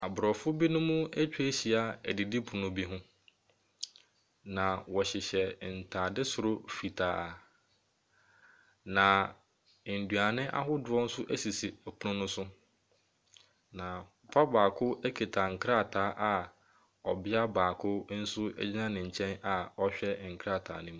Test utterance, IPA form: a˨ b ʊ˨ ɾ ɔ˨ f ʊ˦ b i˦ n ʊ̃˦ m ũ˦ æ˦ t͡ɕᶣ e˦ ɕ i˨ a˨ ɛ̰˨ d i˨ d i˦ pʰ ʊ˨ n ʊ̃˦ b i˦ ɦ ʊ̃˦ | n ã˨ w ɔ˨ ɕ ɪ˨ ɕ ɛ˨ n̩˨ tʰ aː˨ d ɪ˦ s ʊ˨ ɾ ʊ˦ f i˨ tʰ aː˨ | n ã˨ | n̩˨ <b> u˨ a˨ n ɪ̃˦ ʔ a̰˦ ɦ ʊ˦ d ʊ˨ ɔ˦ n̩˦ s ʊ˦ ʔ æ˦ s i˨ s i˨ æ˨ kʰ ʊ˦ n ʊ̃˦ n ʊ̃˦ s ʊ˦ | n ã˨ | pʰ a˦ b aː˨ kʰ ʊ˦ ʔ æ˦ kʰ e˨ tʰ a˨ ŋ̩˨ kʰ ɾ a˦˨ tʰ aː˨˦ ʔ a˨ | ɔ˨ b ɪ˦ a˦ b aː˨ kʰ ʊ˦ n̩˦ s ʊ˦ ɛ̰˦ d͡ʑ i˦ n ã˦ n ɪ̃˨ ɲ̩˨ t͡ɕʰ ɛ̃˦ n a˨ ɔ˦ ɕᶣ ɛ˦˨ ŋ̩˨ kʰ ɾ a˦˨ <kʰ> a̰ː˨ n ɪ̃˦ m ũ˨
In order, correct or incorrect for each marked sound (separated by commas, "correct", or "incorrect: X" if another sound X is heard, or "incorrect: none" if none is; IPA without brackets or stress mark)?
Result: incorrect: d, incorrect: tʰ